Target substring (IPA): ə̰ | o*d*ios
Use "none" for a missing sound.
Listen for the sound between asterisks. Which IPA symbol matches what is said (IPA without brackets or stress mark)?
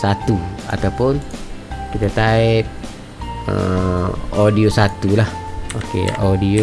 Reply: d